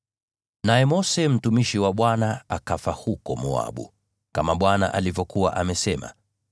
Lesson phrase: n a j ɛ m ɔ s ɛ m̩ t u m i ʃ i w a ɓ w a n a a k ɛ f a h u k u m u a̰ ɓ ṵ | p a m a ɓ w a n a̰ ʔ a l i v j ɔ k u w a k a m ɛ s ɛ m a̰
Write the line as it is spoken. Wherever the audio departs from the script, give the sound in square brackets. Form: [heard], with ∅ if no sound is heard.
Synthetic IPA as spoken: n a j ɛ m ɔ s ɛ m̩ t u m i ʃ i w a ɓ w a n a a k [a] f a h u k [ɔ] m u a̰ ɓ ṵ | [k] a m a ɓ w a n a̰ ʔ a l i v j ɔ k u w a [ʔ] a m ɛ s ɛ m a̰